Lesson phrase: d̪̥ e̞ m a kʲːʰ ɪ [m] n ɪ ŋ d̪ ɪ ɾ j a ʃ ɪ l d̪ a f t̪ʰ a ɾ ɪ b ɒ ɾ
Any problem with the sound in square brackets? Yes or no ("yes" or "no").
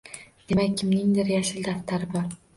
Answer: no